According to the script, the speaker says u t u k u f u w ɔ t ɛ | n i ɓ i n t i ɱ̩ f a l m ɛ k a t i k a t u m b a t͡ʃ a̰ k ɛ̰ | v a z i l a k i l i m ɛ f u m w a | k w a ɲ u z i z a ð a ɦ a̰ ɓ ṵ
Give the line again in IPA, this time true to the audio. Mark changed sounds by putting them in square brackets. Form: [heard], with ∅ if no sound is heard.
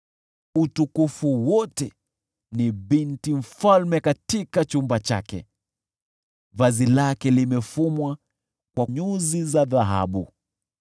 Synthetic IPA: u t u k u f u w ɔ t ɛ | n i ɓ i n t i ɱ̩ f a l m ɛ k a t i k a [t͡ʃ] u m b a t͡ʃ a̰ k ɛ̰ | v a z i l a k [ɛ] l i m ɛ f u m w a | k w a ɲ u z i z a ð a ɦ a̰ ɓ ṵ